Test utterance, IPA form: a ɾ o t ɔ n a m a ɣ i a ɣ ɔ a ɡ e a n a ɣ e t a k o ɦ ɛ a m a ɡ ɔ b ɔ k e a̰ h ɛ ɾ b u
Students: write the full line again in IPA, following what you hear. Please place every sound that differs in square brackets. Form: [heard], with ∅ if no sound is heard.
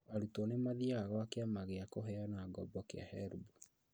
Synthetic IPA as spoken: a ɾ [u] t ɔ n [e] m a [ð] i a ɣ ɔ a [k] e a [m] a ɣ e [∅] a k o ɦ ɛ a [n] a ɡ ɔ b ɔ k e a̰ h ɛ ɾ b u